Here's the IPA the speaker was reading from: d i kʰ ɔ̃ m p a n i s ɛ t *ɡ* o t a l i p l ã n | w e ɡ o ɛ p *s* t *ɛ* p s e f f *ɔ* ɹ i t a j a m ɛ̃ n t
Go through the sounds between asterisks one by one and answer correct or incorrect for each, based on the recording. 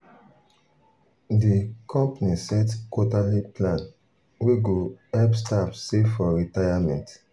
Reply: incorrect, correct, incorrect, correct

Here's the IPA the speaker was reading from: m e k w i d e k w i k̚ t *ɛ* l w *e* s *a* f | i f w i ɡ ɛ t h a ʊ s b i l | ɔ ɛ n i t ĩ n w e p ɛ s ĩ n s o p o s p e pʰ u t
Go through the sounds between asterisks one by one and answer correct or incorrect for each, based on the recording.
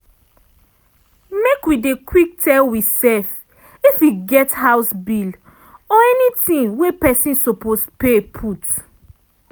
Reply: correct, incorrect, incorrect

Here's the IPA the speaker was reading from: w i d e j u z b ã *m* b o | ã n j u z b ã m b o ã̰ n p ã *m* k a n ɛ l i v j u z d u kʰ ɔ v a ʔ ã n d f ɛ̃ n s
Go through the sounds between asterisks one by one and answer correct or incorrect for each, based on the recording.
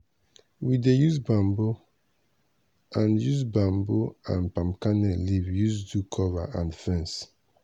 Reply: correct, correct

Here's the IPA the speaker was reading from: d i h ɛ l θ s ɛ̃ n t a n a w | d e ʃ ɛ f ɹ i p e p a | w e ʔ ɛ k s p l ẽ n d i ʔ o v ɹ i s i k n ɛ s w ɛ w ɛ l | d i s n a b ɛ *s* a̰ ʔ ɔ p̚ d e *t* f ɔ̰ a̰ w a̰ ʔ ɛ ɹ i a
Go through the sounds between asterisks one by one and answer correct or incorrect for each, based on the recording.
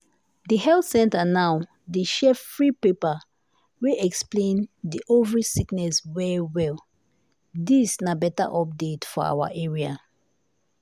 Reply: incorrect, correct

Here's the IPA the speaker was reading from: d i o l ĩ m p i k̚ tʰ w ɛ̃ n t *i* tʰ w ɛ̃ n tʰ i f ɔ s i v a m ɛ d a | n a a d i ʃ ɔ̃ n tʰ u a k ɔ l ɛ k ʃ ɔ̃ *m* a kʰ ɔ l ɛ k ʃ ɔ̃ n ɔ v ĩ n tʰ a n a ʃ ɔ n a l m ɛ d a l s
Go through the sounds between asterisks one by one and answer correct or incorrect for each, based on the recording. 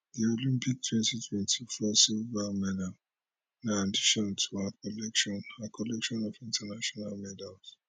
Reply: correct, incorrect

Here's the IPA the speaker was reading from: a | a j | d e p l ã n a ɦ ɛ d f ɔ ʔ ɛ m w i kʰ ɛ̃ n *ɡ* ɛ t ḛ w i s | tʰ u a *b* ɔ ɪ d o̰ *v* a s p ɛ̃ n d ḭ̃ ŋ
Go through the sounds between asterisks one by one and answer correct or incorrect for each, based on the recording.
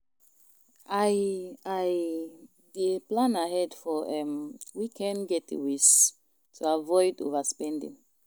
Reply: correct, incorrect, correct

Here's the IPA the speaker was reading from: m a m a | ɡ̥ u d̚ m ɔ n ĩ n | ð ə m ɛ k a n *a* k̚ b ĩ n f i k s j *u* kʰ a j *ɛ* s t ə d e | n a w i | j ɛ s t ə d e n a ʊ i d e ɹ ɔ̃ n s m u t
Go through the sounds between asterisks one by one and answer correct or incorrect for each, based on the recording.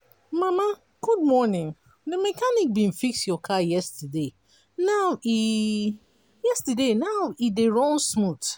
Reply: incorrect, incorrect, correct

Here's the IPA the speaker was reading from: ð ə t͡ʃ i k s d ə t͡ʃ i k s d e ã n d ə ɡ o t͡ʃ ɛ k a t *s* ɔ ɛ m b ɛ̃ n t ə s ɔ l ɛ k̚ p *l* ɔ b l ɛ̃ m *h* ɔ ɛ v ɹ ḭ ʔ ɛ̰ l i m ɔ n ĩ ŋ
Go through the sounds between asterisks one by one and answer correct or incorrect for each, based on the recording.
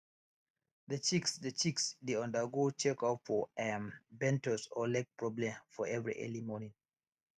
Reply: incorrect, incorrect, incorrect

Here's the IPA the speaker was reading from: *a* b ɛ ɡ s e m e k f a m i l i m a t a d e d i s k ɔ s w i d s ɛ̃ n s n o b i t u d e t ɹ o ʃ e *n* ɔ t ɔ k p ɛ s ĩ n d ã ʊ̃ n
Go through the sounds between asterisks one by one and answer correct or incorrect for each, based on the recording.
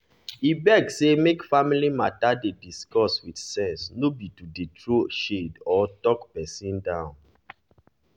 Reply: incorrect, incorrect

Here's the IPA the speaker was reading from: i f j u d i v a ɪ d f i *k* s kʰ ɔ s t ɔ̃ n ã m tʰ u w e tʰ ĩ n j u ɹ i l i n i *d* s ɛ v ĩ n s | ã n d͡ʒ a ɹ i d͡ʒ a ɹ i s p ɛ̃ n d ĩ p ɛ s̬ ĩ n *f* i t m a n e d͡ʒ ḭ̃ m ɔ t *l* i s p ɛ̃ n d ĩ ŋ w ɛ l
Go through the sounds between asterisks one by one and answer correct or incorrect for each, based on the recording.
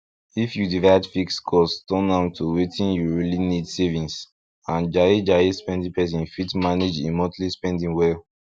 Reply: correct, correct, correct, correct

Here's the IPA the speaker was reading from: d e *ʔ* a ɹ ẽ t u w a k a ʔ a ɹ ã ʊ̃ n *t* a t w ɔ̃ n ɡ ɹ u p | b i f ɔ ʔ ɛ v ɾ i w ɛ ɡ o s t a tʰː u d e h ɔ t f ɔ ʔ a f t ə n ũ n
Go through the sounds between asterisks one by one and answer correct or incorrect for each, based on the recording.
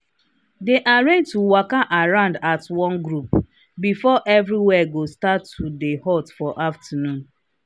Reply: correct, incorrect

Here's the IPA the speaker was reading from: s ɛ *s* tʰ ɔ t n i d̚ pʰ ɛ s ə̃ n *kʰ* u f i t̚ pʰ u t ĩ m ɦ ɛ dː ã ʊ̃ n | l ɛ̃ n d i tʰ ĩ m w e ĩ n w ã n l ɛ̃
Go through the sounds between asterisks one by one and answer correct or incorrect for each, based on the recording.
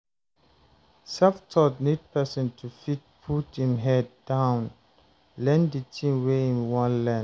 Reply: incorrect, incorrect

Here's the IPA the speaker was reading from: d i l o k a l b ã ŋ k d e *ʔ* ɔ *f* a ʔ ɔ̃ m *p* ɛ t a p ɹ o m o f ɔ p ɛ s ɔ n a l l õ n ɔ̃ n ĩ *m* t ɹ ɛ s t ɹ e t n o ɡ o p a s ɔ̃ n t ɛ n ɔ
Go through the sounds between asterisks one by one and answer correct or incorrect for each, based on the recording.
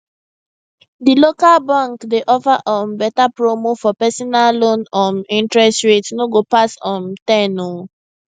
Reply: correct, correct, incorrect, incorrect

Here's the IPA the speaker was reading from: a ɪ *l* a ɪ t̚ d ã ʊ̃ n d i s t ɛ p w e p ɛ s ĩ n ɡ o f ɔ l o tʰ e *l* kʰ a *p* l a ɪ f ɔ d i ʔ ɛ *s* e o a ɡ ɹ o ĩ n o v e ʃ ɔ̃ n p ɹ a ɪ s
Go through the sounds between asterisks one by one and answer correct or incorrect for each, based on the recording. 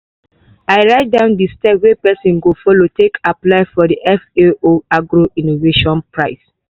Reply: incorrect, incorrect, correct, incorrect

